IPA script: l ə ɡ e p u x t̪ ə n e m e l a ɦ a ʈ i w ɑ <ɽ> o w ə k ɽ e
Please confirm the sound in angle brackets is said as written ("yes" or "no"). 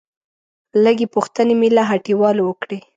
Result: no